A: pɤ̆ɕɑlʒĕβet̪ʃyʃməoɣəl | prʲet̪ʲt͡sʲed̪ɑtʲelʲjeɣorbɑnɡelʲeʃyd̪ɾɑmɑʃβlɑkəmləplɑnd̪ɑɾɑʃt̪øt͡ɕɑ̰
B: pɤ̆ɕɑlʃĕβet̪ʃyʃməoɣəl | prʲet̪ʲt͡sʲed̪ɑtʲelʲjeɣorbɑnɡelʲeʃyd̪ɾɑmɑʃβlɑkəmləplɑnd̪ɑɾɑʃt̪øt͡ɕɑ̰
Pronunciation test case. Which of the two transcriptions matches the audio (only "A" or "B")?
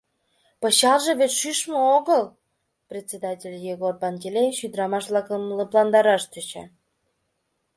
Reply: A